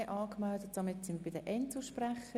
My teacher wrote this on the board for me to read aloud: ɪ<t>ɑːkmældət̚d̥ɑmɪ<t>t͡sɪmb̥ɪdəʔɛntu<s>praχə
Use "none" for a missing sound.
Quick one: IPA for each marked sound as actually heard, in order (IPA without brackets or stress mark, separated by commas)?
ʔ, t, ʃ